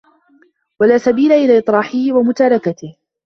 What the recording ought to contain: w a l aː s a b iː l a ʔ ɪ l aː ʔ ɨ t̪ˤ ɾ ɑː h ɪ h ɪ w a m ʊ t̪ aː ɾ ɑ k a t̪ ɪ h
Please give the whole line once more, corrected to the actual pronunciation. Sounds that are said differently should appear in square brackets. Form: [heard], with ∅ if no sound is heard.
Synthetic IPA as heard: w a l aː s a b iː l a ʔ ɪ l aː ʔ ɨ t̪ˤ ɾ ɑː [ħ] ɪ h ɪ w a m ʊ t̪ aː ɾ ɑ k a t̪ ɪ h